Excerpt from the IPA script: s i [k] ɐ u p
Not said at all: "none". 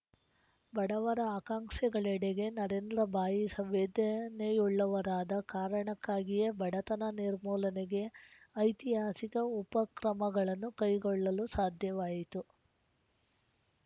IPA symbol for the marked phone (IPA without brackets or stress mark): k